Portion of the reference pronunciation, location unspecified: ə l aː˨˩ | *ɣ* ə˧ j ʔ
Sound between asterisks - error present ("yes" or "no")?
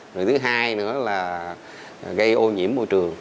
no